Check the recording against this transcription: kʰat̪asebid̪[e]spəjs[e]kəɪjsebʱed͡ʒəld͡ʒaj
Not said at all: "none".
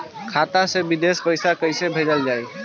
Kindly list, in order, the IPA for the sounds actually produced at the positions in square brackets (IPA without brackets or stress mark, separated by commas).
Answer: e, a